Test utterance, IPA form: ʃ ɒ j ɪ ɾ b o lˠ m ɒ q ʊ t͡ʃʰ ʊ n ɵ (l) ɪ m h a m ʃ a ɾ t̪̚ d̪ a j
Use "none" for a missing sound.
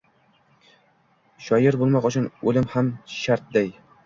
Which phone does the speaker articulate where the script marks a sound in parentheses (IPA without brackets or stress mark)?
l